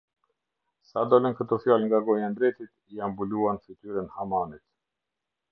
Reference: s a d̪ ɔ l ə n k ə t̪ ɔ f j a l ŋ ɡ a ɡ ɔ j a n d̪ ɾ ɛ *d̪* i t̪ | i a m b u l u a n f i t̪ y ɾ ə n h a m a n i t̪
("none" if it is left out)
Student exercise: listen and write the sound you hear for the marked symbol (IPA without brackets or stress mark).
t̪